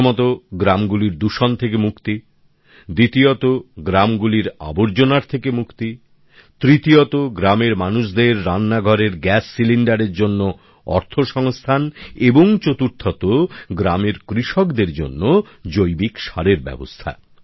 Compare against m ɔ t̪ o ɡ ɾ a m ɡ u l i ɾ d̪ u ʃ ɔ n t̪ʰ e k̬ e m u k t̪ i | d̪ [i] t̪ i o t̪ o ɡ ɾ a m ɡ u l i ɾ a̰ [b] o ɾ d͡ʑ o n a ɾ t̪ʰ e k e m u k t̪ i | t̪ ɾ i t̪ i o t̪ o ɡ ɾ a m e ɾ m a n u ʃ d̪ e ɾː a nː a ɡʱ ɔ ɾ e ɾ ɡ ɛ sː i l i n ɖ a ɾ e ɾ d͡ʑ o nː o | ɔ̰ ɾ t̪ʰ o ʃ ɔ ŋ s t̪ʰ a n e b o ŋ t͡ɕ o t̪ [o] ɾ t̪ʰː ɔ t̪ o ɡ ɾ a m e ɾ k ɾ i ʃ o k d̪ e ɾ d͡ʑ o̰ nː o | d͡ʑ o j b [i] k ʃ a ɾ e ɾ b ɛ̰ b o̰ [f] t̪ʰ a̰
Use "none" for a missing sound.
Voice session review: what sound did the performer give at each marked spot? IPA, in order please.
i, b, u, i, s

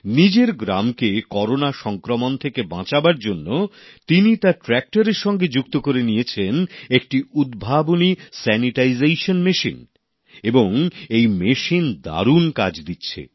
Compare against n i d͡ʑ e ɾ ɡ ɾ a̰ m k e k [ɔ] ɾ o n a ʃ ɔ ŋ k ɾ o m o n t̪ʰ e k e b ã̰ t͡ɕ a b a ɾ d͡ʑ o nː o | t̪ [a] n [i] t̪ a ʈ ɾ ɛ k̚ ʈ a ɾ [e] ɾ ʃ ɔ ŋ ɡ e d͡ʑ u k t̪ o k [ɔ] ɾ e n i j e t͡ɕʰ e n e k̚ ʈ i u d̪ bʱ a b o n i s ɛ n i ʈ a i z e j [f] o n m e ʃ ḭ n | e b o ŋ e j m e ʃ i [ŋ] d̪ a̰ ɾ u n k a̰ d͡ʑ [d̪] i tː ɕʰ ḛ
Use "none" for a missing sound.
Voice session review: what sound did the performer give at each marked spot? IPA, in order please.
ɔ, i, i, e, o, ʃ, n, d̪

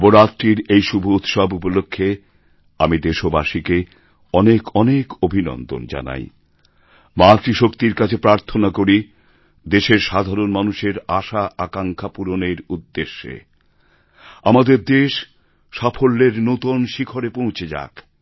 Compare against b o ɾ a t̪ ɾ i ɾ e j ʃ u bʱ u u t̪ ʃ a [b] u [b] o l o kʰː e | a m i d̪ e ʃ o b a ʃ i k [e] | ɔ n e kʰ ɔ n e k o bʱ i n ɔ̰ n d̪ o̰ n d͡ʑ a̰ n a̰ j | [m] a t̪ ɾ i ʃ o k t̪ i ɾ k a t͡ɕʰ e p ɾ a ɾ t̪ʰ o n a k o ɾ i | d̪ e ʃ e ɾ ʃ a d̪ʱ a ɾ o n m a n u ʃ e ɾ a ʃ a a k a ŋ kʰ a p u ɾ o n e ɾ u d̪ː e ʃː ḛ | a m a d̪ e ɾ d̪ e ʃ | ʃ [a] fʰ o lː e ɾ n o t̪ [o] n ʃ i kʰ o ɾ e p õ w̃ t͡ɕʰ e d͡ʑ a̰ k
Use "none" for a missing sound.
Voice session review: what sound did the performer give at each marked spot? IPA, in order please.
b, p, e, m, a, o

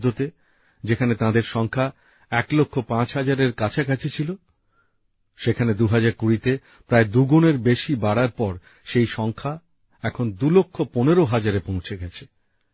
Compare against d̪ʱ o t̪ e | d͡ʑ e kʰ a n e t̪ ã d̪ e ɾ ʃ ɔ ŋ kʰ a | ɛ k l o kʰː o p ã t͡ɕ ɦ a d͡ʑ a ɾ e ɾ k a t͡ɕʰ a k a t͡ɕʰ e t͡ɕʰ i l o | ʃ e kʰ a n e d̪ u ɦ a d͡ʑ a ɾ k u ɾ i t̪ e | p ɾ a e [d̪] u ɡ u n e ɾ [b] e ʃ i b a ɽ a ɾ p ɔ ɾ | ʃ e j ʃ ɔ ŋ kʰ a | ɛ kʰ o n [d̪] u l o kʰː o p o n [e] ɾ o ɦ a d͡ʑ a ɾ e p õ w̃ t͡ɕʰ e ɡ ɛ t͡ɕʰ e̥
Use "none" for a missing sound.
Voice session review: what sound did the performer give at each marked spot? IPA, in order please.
d̪, b, d̪, e

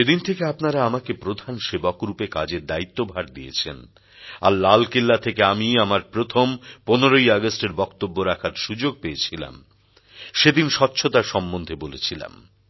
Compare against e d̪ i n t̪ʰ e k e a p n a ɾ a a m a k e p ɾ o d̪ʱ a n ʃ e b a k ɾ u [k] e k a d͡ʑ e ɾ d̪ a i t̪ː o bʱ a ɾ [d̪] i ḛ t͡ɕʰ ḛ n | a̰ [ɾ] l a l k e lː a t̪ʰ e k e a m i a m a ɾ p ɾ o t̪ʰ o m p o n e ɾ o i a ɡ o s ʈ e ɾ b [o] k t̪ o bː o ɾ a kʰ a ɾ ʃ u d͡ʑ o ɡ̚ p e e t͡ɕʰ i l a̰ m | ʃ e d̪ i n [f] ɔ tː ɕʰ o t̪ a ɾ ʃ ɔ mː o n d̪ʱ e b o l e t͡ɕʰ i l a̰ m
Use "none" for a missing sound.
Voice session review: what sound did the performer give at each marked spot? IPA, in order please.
p, d̪, ɾ, ɔ, ʃ

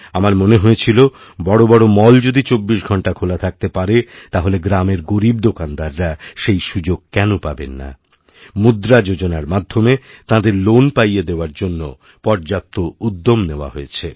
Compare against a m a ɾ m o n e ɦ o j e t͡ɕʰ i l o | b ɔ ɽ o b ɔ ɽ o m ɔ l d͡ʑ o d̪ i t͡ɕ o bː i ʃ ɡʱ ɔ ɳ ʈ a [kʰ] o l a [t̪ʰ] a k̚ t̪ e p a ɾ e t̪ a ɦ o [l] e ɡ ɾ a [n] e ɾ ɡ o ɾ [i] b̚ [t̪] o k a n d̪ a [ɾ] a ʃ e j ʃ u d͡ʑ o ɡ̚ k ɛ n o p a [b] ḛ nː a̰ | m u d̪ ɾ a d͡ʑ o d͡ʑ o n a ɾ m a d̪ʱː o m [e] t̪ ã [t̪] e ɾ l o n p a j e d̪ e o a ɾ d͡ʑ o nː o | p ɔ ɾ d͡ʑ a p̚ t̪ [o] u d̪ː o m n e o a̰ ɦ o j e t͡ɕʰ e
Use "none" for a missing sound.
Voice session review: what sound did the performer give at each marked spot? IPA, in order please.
kʰ, t̪ʰ, l, m, i, d̪, ɾː, b, e, d̪, o

